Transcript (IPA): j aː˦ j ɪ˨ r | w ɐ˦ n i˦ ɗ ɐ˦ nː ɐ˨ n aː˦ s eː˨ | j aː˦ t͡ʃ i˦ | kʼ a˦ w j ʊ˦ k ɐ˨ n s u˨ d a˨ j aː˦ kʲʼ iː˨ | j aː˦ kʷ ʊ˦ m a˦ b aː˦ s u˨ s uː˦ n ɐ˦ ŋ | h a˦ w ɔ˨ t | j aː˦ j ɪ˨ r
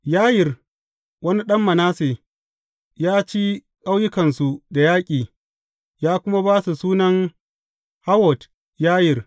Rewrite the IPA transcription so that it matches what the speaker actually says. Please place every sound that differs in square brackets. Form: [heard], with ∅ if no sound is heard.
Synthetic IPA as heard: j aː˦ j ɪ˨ r | w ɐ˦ n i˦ ɗ ɐ˦ [mː] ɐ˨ n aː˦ s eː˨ | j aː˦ t͡ʃ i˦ | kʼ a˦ w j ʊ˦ k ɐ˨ n s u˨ d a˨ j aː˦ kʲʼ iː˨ | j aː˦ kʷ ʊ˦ m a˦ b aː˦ s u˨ s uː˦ n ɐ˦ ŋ | h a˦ w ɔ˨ t | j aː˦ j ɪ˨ r